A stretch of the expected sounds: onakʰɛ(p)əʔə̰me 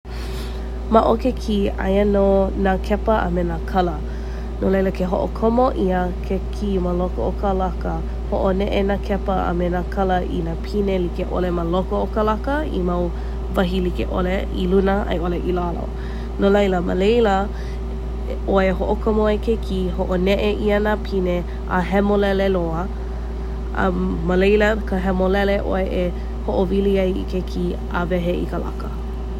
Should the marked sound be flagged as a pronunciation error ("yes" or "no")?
no